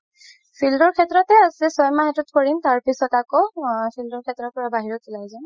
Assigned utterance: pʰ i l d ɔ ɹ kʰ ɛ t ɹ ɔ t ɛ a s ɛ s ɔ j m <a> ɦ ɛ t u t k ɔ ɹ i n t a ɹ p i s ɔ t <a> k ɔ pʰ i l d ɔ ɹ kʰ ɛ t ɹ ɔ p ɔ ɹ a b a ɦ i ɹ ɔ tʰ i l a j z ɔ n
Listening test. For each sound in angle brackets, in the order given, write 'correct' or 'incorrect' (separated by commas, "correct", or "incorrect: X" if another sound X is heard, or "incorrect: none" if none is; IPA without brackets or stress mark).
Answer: correct, correct